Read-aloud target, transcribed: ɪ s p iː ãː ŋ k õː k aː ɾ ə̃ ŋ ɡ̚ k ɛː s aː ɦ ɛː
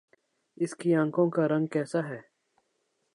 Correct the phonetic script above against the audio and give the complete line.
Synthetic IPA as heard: ɪ s k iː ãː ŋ k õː k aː ɾ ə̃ ŋ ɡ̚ k ɛː s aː ɦ ɛː